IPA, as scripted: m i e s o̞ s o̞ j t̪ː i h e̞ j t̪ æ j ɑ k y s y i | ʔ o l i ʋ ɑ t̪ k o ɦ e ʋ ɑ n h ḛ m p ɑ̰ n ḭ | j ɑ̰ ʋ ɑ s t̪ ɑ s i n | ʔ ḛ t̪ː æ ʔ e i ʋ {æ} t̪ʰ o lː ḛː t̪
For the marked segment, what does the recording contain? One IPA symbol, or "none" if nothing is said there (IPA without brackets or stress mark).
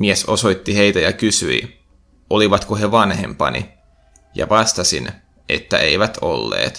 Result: æ